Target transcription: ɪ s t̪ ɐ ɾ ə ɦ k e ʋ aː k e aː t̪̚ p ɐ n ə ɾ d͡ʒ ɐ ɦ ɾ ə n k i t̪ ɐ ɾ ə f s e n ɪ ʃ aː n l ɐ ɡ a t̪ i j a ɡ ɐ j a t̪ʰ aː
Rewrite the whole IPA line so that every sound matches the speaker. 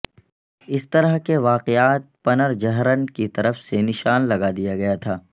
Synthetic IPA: ɪ s t̪ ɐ ɾ ə ɦ k e ʋ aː q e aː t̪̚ p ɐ n ə ɾ d͡ʒ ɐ ɦ ɾ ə n k i t̪ ɐ ɾ ə f s e n ɪ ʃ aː n l ɐ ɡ a d̪ i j a ɡ ɐ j a t̪ʰ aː